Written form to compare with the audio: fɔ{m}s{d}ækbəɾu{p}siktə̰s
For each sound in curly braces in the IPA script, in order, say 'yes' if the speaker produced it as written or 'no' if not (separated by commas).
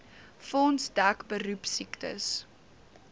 no, yes, yes